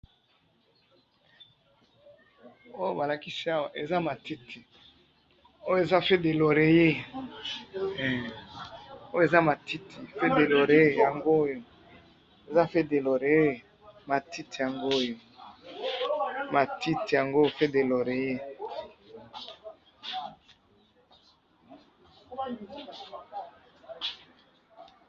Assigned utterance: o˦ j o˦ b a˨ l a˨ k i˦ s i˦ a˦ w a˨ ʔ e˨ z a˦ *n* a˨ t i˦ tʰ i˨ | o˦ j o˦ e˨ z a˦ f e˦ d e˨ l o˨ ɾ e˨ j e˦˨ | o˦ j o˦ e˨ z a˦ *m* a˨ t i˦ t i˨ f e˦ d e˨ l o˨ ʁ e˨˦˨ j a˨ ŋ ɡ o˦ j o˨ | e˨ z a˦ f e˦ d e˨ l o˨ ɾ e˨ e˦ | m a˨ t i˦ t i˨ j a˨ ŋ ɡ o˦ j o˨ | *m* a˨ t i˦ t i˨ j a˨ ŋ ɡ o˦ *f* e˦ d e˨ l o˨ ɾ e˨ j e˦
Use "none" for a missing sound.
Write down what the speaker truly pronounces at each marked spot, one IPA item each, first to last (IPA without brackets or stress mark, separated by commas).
m, m, m, f